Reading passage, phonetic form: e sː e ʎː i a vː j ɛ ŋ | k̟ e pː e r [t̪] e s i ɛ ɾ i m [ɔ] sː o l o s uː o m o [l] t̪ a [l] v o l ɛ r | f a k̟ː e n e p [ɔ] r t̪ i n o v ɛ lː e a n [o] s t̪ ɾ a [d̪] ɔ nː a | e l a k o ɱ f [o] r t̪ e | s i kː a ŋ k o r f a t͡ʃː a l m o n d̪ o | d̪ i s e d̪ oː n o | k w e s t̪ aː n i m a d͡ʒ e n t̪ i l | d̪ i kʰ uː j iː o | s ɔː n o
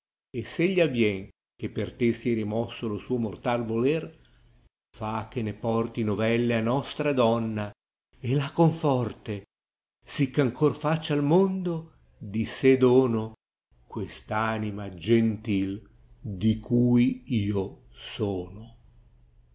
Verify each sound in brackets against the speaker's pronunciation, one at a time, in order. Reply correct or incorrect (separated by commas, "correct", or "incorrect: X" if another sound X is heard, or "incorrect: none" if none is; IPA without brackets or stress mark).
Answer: correct, correct, incorrect: r, correct, correct, incorrect: ɔ, correct, incorrect: ɔ